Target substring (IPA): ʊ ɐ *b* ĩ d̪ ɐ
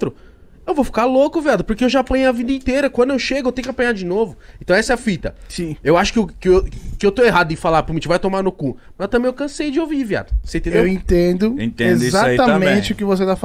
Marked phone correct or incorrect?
incorrect